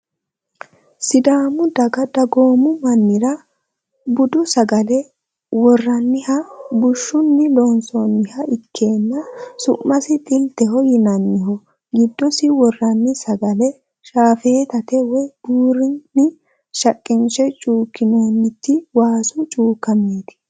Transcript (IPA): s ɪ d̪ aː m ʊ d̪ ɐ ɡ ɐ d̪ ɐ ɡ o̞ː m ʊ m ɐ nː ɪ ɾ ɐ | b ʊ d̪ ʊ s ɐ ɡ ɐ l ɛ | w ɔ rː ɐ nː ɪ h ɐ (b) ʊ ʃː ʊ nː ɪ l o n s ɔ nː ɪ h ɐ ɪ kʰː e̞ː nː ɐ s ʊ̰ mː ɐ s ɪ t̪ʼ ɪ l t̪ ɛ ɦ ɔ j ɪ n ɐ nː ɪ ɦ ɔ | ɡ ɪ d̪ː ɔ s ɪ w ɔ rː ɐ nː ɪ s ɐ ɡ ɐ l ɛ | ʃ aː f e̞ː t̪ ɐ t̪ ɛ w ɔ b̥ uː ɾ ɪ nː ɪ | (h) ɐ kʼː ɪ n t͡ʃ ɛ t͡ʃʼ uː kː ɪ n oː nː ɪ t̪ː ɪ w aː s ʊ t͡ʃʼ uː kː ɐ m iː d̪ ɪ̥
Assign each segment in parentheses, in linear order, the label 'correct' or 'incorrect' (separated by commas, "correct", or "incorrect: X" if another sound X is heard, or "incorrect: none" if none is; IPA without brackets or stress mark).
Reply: correct, incorrect: ʃ